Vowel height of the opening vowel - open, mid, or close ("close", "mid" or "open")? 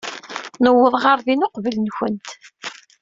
mid